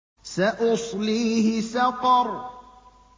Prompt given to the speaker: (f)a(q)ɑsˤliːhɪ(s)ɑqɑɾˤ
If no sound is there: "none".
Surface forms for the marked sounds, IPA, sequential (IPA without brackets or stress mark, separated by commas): s, ʔ, s